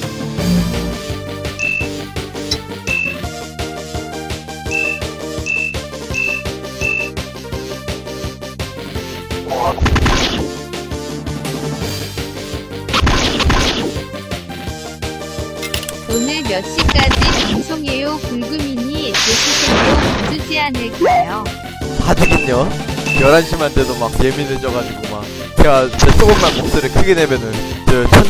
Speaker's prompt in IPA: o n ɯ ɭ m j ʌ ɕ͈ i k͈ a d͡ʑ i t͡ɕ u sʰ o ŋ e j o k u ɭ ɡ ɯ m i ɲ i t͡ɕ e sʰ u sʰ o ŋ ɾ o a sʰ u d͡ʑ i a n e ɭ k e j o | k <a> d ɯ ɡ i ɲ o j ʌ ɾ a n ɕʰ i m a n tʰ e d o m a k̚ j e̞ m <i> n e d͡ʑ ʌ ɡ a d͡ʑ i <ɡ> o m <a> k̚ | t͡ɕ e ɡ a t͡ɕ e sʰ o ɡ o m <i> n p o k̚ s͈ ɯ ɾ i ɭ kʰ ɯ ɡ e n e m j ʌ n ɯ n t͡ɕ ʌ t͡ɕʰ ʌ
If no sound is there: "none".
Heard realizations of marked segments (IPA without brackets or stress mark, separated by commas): a, i, ɡ, a, a